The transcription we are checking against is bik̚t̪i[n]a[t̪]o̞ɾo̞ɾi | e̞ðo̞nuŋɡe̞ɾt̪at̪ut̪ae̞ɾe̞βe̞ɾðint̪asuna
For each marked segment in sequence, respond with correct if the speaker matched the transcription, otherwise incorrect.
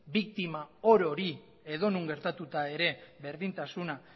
incorrect: m, incorrect: none

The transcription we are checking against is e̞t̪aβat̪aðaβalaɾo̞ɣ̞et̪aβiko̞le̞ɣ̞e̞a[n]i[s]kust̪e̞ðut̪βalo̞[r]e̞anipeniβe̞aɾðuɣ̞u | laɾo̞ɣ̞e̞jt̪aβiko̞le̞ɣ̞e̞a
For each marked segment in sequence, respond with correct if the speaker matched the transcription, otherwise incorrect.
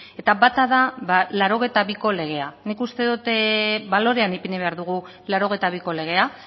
correct, incorrect: none, incorrect: ɾ

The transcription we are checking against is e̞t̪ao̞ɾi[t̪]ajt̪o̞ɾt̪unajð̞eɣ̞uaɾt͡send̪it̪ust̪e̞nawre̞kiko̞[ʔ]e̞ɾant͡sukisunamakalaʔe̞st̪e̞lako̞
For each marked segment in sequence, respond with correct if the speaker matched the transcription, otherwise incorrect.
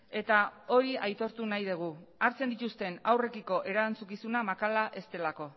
incorrect: none, correct

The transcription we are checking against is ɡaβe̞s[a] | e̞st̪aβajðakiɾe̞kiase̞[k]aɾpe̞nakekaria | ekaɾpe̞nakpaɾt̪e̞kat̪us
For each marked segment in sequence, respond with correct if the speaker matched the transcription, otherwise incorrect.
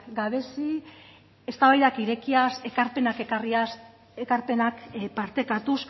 incorrect: i, correct

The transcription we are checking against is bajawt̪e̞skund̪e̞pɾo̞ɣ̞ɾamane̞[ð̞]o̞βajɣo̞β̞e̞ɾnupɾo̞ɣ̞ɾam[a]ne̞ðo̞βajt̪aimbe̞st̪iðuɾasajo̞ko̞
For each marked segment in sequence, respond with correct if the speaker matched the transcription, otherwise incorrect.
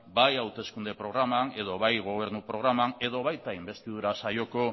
correct, correct

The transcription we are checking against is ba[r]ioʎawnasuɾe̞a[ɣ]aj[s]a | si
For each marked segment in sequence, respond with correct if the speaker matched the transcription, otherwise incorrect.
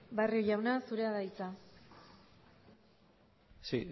correct, incorrect: ð, incorrect: t͡s

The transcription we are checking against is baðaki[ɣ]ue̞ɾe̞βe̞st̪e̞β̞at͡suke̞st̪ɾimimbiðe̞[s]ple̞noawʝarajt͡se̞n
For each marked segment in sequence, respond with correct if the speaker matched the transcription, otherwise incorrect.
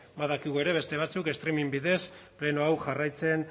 correct, correct

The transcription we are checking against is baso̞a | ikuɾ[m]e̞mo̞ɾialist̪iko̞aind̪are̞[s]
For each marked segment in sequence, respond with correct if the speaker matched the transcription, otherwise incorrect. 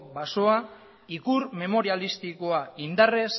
correct, correct

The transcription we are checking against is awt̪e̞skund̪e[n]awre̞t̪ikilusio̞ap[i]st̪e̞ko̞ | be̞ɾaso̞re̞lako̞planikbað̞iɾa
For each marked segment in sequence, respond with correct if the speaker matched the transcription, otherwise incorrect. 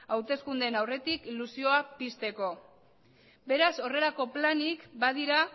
correct, correct

